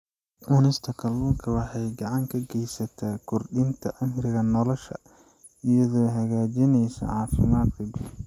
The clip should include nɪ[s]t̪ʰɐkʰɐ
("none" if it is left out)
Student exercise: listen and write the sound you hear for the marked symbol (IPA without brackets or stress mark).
s